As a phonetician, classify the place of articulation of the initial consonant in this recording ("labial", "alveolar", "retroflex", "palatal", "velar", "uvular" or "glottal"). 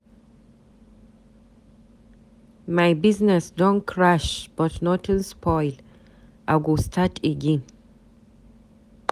labial